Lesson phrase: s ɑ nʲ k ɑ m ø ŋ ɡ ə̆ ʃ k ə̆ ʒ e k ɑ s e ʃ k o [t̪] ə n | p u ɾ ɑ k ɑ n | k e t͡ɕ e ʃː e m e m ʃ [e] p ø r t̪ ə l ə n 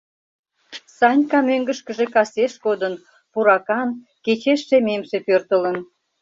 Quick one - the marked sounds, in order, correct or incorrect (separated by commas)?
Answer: incorrect, correct